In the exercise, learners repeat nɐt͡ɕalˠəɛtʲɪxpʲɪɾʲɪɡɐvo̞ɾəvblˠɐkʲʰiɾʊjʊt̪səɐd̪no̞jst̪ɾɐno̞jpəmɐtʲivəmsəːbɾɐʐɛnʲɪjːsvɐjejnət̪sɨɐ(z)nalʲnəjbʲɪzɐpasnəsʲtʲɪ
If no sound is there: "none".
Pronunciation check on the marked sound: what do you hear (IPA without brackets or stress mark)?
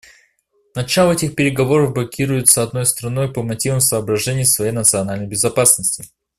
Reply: none